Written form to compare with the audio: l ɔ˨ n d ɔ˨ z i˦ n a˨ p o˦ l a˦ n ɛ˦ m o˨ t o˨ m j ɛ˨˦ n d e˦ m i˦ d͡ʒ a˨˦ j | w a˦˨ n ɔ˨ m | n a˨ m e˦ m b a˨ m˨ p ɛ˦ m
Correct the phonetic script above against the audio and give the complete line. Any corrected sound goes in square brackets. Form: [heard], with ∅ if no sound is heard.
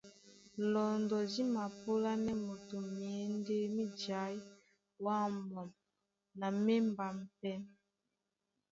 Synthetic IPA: l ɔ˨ n d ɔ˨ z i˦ [m] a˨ p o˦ l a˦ n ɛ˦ m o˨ t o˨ m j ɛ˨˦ n d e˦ m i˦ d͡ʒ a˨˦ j | w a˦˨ [m] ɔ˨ m | n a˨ m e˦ m b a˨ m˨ p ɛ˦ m

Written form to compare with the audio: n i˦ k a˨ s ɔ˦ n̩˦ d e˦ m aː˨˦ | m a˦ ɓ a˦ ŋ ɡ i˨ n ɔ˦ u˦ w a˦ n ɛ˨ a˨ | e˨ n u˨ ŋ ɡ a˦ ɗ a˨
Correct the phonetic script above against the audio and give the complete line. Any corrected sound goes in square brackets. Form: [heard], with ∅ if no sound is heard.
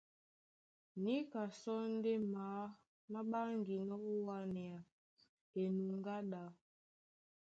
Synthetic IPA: n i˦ k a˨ s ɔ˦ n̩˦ d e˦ m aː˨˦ | m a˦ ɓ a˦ ŋ ɡ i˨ n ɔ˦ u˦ w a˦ n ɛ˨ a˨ | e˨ n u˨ ŋ ɡ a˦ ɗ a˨

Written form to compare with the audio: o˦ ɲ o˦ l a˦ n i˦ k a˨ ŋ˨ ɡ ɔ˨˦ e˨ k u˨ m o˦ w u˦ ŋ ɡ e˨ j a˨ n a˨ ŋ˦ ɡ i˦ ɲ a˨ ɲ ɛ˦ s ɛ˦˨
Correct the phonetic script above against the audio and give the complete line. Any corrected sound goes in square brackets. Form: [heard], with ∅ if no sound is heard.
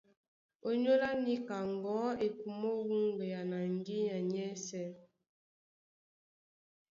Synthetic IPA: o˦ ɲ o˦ l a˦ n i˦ k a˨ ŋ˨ ɡ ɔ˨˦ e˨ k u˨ m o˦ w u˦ ŋ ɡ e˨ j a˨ n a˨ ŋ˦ ɡ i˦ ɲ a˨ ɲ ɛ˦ s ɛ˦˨

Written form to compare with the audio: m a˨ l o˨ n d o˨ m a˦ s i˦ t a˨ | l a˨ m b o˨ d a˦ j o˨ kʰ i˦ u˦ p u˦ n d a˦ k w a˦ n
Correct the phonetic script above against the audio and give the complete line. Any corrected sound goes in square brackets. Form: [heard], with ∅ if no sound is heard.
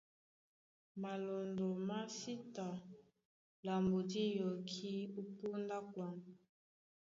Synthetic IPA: m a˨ l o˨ n d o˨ m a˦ s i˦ t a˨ | l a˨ m b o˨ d [i˦] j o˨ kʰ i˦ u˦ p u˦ n d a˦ k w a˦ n

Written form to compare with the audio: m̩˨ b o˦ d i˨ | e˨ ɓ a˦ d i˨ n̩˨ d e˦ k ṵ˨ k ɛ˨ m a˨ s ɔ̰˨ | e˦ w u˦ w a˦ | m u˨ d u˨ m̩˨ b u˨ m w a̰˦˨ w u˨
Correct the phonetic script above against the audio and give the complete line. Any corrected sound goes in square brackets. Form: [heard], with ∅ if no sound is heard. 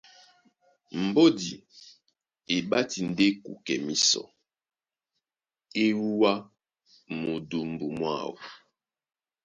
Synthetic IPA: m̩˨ b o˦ d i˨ | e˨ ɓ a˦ [t] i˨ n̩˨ d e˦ k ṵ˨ k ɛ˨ m [i˨] s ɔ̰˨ | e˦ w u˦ w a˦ | m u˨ d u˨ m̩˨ b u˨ m w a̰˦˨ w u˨

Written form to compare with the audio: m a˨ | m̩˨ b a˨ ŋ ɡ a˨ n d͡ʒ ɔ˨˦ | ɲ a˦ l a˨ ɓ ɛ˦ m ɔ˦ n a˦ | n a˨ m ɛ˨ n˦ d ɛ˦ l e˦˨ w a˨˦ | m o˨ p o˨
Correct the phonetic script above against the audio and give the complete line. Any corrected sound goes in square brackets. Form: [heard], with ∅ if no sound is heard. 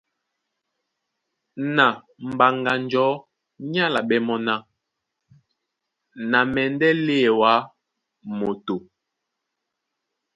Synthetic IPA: [n] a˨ | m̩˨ b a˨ ŋ ɡ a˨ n d͡ʒ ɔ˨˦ | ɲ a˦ l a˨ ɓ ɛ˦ m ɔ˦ n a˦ | n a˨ m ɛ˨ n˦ d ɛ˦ l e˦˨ w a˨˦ | m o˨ [t] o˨

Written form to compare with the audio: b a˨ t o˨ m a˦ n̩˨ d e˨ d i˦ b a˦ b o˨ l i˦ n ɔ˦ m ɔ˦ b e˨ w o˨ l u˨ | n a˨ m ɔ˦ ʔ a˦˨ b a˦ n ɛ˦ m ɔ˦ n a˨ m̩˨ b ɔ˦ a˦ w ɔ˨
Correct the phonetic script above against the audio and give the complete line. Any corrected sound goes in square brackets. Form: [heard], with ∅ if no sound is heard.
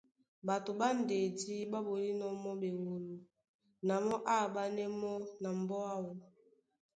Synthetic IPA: b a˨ t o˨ [b] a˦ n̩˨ d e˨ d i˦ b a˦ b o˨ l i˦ n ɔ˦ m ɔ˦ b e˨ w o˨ l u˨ | n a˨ m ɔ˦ ʔ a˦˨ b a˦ n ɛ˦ m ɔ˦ n a˨ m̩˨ b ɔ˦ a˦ w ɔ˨

